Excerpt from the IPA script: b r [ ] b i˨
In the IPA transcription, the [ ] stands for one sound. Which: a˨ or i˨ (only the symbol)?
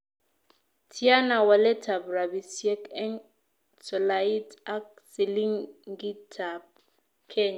a˨